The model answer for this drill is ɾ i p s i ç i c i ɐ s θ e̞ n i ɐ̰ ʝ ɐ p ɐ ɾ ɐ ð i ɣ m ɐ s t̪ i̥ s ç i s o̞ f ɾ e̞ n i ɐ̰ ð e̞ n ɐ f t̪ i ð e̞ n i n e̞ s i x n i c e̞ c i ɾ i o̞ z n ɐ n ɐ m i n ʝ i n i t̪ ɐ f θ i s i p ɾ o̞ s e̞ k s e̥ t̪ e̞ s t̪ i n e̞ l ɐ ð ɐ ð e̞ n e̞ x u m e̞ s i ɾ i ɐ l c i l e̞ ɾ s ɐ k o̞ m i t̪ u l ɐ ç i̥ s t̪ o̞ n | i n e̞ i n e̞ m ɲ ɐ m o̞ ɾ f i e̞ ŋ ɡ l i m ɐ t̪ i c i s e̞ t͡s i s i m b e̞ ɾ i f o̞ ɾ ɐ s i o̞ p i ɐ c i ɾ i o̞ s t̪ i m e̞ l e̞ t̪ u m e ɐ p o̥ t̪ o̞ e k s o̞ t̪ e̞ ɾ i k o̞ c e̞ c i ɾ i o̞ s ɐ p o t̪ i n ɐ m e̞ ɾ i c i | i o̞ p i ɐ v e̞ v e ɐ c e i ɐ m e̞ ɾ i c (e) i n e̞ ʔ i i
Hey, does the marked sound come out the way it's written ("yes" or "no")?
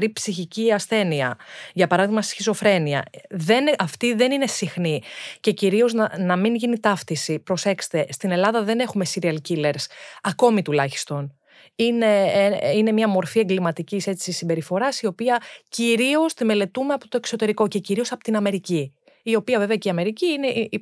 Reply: no